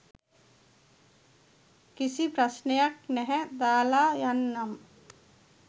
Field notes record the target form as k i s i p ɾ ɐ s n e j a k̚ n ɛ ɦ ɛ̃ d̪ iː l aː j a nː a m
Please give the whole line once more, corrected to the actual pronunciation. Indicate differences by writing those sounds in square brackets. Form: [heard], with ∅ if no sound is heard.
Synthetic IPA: k i s i p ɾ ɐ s n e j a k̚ n ɛ ɦ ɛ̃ d̪ [aː] l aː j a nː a m